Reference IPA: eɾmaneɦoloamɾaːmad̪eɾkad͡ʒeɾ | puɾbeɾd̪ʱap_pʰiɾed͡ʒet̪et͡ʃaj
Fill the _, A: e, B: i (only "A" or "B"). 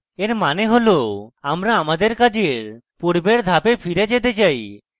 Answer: A